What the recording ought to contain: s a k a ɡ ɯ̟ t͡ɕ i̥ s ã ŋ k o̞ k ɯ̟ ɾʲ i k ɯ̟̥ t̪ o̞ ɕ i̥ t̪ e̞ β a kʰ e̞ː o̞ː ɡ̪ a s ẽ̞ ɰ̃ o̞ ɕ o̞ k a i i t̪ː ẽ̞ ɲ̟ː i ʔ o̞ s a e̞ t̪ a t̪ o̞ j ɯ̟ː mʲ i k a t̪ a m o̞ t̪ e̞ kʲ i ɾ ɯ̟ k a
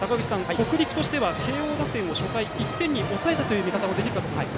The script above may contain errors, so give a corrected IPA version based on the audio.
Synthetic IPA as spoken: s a k a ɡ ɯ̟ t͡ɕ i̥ s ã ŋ k o̞ k ɯ̟ ɾʲ i k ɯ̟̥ t̪ o̞ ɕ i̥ t̪ e̞ β a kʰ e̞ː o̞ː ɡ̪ a s ẽ̞ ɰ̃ o̞ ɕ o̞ k a i i t̪ː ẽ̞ ɲ̟ː i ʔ o̞ s a e̞ t̪ a t̪ o̞ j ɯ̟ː mʲ i k a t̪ a m o̞ d̪ e̞ kʲ i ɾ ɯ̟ k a